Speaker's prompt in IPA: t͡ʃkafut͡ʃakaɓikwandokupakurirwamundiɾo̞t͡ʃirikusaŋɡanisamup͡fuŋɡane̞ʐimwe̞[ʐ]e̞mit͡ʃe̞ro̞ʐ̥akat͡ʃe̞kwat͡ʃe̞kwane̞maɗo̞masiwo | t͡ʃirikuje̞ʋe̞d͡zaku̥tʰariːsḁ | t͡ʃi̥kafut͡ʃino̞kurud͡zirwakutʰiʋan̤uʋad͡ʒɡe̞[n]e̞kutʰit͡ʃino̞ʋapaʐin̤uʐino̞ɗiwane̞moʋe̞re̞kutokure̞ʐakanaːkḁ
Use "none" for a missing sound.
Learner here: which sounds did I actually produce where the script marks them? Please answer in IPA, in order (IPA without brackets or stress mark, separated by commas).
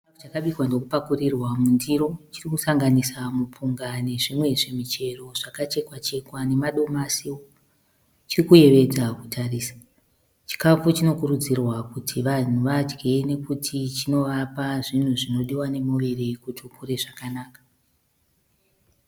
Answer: ʐ, n